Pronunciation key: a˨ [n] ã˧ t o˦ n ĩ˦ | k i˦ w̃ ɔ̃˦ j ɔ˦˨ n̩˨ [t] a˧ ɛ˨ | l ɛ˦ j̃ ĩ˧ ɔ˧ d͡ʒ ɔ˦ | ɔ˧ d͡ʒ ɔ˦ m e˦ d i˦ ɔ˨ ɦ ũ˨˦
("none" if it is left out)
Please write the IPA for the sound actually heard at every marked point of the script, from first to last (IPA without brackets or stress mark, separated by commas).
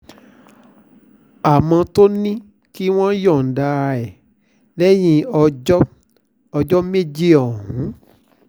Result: m, d